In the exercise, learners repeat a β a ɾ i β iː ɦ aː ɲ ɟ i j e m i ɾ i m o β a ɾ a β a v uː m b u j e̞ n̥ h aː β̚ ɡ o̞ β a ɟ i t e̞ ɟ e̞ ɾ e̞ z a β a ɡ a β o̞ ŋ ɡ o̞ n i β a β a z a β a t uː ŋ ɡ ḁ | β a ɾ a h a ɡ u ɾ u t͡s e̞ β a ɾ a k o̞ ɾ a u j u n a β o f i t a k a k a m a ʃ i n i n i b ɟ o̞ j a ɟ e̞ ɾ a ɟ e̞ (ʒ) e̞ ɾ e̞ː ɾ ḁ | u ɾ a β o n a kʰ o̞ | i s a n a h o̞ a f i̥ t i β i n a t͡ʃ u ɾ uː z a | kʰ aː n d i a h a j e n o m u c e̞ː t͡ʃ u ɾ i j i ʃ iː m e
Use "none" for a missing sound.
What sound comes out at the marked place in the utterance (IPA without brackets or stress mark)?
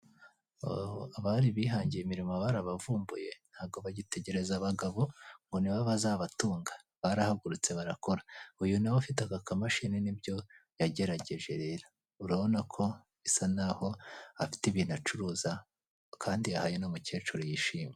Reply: ʒ